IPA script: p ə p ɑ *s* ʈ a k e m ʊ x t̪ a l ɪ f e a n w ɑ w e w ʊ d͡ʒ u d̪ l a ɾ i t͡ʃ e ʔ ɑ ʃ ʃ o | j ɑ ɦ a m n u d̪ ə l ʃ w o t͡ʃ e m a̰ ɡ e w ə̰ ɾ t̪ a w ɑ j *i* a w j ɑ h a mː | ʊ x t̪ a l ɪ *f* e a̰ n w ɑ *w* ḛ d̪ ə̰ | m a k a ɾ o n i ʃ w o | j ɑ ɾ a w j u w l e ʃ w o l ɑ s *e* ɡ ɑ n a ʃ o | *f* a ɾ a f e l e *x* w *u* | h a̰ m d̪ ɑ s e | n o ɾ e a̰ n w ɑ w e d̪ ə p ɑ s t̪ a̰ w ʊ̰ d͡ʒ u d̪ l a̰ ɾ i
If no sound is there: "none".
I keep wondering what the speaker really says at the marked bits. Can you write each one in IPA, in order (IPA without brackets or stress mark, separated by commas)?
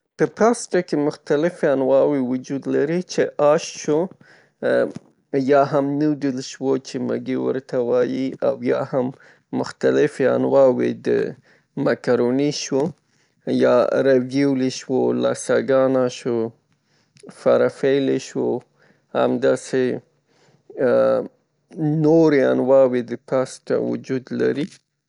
s, i, f, w, a, f, ʃ, o